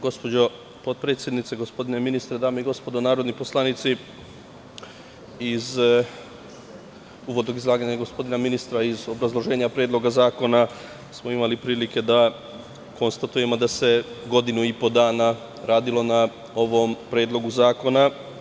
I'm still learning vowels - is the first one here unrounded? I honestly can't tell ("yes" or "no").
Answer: no